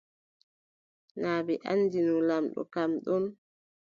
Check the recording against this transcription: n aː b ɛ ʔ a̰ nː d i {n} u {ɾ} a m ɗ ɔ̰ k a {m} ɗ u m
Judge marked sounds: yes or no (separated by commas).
yes, no, yes